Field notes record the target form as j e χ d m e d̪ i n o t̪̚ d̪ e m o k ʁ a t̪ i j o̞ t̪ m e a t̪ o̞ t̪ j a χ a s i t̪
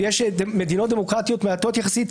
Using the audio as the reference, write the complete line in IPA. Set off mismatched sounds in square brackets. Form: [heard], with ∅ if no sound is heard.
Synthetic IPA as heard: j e [ʃ] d m e d̪ i n o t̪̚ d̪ e m o k ʁ a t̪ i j o̞ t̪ m e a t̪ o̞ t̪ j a χ a s i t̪